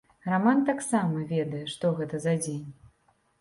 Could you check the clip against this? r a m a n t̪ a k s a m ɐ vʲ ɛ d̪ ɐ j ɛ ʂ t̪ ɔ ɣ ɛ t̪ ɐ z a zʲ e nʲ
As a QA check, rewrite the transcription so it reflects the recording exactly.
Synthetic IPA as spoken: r a m a n t̪ a k s a m ɐ vʲ ɛ d̪ ɐ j ɛ ʂ t̪ ɔ ɣ ɛ t̪ ɐ z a d͡zʲ e nʲ